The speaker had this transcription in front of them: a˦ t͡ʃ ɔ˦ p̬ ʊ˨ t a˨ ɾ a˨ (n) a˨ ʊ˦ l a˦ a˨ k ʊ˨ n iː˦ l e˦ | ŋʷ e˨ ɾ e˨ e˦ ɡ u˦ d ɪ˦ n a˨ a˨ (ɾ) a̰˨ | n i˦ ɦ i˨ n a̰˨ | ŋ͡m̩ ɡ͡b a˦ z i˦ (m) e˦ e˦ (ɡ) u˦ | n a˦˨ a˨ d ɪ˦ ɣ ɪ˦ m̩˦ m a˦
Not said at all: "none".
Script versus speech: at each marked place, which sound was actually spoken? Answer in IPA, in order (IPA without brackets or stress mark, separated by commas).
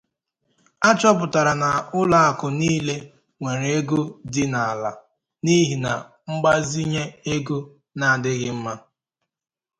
n, l, ɲ, ɡ